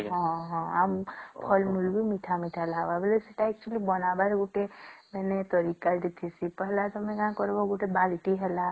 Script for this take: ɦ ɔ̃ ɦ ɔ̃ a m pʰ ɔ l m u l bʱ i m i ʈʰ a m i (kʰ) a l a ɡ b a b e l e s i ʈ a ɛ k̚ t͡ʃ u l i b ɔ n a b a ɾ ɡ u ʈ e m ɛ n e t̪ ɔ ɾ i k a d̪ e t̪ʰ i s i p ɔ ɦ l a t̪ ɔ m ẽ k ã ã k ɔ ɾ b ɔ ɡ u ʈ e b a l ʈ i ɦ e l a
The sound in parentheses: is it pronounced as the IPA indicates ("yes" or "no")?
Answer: no